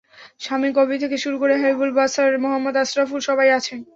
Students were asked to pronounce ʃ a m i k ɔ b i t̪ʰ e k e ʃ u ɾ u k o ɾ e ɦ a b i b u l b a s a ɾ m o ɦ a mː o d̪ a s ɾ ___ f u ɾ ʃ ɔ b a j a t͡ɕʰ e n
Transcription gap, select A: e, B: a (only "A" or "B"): B